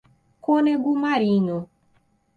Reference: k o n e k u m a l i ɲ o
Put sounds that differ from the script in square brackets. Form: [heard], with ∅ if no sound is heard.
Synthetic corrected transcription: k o n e [ɡ] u m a [ɾ] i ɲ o